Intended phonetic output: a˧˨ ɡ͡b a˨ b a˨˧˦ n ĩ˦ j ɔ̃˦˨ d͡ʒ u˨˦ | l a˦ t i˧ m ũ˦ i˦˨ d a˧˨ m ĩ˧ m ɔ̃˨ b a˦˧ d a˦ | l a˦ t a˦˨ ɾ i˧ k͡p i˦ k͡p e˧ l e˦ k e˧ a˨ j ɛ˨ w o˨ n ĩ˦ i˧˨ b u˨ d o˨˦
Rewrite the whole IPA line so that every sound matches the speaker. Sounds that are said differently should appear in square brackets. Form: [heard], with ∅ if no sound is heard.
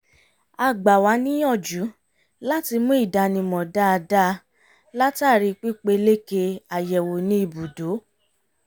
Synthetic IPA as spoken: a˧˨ ɡ͡b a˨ [w] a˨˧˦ n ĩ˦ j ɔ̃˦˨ d͡ʒ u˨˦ | l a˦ t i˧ m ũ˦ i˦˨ d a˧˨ [n] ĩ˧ m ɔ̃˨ [d] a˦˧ d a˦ | l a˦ t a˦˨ ɾ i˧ k͡p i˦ k͡p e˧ l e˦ k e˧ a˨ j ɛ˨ w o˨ n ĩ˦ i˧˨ b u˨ d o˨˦